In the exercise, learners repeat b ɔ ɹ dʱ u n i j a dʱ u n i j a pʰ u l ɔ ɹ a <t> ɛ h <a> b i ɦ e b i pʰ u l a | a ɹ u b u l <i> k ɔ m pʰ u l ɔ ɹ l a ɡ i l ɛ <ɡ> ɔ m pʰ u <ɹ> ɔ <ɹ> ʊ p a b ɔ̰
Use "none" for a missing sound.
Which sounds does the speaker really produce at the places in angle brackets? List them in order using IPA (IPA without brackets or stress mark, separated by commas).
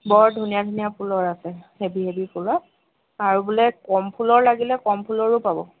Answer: s, e, ɛ, k, l, ɹ